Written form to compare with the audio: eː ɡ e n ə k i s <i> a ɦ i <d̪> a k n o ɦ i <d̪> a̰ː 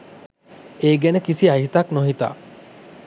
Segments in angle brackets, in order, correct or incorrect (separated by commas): correct, incorrect, incorrect